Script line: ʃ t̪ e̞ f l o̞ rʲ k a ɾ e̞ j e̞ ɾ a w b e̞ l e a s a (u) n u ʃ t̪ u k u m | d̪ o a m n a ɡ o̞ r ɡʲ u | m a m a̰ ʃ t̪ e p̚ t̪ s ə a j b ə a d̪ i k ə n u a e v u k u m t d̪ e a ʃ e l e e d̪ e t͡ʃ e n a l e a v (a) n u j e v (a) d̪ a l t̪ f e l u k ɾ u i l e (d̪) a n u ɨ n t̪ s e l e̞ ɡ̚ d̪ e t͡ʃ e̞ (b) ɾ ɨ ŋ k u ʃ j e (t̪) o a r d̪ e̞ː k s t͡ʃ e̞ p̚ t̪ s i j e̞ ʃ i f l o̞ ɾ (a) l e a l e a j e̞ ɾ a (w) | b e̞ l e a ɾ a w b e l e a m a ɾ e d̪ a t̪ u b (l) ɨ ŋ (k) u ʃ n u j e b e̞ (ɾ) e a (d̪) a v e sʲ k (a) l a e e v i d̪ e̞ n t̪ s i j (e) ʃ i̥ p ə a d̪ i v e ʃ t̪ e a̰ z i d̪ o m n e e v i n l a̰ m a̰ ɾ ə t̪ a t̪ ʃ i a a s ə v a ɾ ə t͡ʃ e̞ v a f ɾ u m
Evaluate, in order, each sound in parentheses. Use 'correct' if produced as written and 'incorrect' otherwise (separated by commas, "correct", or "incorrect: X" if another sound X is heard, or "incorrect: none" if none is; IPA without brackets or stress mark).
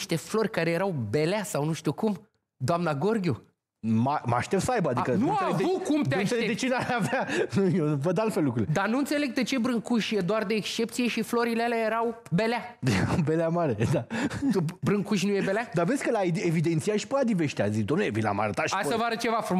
incorrect: w, correct, incorrect: ə, correct, correct, incorrect: d̪, incorrect: i, correct, incorrect: ɾ, correct, incorrect: l, correct, incorrect: ə, incorrect: a